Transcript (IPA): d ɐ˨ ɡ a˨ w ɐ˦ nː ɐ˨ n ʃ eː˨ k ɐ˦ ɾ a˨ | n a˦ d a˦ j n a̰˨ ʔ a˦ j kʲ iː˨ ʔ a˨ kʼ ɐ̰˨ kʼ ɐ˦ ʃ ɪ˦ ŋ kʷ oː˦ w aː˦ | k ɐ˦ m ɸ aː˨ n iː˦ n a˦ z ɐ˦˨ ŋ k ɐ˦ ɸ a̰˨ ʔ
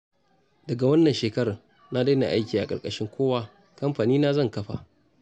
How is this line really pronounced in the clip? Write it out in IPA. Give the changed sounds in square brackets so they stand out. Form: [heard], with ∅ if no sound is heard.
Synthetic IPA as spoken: d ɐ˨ ɡ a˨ w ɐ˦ nː ɐ˨ n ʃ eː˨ k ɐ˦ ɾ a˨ | n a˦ d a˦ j n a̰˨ ʔ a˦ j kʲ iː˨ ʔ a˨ kʼ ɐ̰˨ kʼ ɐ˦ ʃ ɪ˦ ŋ kʷ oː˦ w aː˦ | k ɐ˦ m ɸ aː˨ n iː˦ n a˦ z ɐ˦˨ ŋ k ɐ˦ ɸ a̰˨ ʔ